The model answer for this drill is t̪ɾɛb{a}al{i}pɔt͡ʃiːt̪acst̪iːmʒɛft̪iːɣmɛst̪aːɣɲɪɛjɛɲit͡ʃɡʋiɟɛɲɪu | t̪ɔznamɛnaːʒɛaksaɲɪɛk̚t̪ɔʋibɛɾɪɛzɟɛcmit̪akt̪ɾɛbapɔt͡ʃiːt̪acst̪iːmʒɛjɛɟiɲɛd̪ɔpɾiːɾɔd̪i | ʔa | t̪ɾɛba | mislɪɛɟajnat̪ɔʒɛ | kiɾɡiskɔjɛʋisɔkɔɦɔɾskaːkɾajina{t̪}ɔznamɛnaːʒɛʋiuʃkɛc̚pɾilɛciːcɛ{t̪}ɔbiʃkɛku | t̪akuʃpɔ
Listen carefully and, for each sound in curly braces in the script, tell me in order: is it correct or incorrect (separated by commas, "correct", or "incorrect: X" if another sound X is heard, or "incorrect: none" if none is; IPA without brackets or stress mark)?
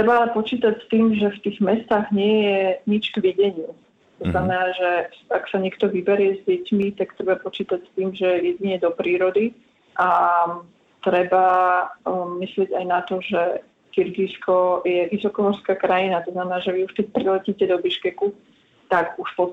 correct, incorrect: ɛ, correct, incorrect: d̪